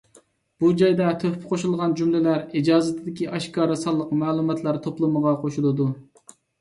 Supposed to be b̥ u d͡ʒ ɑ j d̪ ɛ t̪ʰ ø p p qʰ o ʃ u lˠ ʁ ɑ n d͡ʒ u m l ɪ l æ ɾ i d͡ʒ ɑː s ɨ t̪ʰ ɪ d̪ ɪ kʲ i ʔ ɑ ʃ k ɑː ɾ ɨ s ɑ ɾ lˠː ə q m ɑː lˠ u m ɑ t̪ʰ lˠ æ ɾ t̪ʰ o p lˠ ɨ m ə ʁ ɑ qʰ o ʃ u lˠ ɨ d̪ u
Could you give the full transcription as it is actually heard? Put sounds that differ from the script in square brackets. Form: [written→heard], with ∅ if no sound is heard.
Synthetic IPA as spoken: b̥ u d͡ʒ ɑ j d̪ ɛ t̪ʰ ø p p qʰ o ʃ u lˠ ʁ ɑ n d͡ʒ u m l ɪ l æ ɾ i d͡ʒ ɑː [s→z] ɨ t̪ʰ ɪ d̪ ɪ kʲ i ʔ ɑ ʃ k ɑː ɾ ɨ s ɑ [ɾ→∅] lˠː ə q m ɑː lˠ u m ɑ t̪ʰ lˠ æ ɾ t̪ʰ o p lˠ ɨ m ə ʁ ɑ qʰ o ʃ u lˠ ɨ d̪ u